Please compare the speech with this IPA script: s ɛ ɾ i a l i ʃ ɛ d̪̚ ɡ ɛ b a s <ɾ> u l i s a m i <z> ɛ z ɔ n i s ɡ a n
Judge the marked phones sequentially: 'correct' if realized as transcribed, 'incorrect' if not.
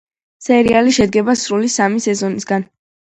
correct, incorrect: s

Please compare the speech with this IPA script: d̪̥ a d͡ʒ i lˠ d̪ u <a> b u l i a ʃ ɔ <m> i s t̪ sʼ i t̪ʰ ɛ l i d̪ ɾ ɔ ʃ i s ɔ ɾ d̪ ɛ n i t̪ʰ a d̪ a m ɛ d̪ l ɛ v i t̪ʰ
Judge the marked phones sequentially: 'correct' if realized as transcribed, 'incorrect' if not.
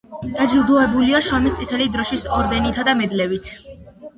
incorrect: ɛ, correct

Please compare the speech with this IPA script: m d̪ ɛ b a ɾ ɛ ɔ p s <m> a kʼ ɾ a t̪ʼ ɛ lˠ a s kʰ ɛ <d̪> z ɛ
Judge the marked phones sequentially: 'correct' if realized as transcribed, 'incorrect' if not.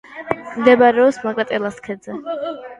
correct, correct

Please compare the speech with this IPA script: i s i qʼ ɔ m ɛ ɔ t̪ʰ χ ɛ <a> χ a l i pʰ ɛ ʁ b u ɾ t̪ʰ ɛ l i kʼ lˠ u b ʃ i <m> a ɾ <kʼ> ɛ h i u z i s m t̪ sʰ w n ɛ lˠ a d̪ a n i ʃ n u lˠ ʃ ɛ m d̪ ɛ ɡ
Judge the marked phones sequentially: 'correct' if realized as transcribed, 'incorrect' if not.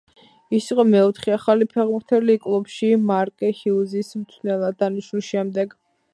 correct, correct, correct

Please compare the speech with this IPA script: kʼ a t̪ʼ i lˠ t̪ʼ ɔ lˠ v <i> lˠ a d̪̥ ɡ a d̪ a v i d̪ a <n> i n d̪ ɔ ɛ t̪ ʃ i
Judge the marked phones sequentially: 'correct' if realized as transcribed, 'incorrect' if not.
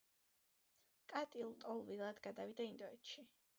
correct, incorrect: none

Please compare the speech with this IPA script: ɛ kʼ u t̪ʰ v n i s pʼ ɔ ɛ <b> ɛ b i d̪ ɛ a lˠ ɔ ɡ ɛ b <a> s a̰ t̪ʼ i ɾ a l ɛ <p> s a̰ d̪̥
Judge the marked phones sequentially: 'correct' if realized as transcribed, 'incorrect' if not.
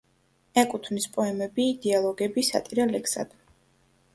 incorrect: m, incorrect: i, incorrect: k

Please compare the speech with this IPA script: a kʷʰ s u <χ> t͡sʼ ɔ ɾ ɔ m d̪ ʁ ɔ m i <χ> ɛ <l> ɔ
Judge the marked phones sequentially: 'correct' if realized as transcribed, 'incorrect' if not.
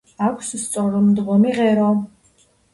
incorrect: s, incorrect: ʁ, incorrect: ɾ

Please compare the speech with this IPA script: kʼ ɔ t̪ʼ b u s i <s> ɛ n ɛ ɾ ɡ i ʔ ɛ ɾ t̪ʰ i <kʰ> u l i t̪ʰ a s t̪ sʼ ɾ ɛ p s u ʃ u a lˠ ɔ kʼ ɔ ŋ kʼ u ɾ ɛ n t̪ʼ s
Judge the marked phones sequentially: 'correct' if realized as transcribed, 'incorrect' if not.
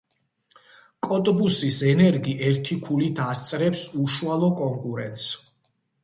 correct, correct

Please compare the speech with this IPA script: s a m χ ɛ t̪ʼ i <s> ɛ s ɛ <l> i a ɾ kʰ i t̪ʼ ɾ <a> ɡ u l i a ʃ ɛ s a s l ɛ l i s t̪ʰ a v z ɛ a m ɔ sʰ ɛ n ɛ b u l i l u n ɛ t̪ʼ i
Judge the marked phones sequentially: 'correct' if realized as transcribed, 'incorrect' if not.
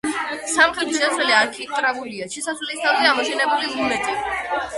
incorrect: ʃ, correct, correct

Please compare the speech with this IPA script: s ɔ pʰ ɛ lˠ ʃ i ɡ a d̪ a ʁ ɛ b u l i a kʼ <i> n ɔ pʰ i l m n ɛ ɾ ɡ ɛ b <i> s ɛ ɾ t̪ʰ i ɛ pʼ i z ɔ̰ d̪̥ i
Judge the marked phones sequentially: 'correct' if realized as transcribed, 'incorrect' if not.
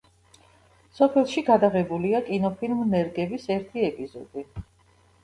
correct, correct

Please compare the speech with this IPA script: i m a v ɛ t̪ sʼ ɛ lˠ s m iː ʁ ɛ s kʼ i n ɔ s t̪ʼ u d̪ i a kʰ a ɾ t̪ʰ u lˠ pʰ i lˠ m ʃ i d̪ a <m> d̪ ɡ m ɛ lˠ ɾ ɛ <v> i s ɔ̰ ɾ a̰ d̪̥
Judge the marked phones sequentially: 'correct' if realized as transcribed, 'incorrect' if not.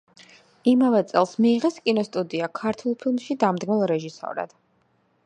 correct, incorrect: ʒ

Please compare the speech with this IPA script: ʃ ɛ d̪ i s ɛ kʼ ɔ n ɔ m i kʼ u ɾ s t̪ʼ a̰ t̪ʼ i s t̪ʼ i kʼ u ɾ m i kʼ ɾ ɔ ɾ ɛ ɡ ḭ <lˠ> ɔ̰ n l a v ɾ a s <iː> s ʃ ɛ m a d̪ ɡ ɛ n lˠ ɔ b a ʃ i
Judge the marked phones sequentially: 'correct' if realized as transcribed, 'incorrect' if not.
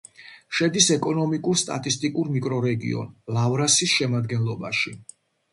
incorrect: none, incorrect: i

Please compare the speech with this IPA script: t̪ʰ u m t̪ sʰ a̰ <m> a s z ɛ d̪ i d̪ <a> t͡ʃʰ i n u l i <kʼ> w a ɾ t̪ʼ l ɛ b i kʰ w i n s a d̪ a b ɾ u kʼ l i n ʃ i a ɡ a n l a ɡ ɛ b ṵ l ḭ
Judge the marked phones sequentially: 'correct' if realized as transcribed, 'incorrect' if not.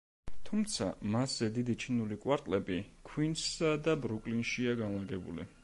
correct, incorrect: i, correct

